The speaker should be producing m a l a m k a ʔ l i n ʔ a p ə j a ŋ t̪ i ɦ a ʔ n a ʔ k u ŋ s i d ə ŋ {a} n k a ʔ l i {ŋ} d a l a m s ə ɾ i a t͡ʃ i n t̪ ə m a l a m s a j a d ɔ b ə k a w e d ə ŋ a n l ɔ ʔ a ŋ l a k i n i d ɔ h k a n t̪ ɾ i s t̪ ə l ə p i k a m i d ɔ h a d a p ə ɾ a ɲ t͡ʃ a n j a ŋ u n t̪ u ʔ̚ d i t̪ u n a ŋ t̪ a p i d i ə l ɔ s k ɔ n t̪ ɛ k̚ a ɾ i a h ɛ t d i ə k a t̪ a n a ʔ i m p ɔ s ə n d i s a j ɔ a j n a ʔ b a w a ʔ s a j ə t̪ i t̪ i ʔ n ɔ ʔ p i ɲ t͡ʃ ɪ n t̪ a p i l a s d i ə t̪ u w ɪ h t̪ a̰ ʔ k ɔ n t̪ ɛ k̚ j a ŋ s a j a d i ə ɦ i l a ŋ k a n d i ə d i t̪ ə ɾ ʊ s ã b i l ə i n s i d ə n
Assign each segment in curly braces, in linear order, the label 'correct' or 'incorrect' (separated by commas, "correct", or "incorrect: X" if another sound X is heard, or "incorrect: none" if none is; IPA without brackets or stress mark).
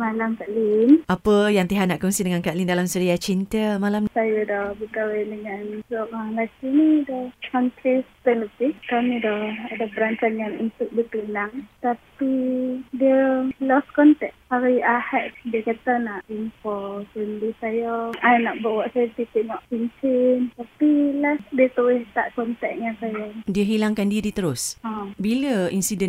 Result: correct, incorrect: n